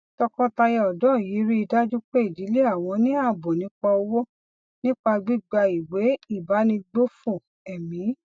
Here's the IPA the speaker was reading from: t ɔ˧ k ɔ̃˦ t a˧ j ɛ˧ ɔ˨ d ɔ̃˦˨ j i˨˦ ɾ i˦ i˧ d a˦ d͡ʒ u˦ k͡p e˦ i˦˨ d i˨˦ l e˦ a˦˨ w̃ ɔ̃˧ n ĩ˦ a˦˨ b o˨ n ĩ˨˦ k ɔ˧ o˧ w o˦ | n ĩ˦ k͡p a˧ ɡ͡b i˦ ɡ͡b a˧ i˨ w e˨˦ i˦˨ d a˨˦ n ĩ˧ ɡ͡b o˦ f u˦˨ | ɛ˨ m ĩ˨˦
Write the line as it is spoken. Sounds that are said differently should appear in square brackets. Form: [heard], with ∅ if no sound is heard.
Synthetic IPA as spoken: t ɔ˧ k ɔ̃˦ t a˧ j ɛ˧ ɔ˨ d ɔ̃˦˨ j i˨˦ ɾ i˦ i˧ d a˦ d͡ʒ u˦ k͡p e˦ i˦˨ d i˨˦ l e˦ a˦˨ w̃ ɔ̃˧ n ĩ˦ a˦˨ b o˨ n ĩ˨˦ [k͡p] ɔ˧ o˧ w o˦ | n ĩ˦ k͡p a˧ ɡ͡b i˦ ɡ͡b a˧ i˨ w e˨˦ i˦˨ [b] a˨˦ n ĩ˧ ɡ͡b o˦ f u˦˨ | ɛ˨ m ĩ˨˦